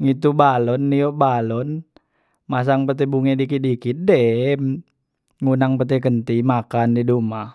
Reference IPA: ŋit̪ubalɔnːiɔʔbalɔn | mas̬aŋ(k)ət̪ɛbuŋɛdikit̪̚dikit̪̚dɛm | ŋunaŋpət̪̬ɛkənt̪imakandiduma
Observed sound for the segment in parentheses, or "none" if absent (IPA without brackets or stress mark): p